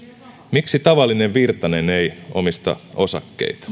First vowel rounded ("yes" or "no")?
no